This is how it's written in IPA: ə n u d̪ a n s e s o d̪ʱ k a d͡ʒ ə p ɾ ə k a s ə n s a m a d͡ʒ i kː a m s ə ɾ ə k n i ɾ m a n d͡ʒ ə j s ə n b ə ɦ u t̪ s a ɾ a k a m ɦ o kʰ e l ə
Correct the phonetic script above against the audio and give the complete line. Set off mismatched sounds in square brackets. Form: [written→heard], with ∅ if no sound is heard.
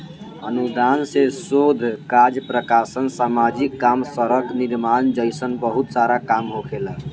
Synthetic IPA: ə n u d̪ a n s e s o d̪ʱ k a d͡ʒ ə p ɾ ə k a s ə n s a m a d͡ʒ i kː a m s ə ɾ ə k n i ɾ m a n d͡ʒ ə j s ə n b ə ɦ u t̪ s a ɾ a k a m ɦ o kʰ e l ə